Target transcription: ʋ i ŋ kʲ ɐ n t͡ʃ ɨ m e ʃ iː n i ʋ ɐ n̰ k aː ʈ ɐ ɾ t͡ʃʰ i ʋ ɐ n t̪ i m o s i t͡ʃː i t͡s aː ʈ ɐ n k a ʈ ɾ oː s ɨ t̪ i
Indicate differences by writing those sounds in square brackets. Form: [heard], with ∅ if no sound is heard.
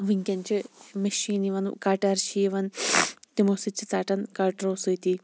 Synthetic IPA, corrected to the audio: ʋ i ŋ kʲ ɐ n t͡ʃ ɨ m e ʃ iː n i ʋ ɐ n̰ k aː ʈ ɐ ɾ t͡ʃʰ i ʋ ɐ n t̪ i m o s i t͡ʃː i t͡s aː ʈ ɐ n k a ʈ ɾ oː s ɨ t̪ i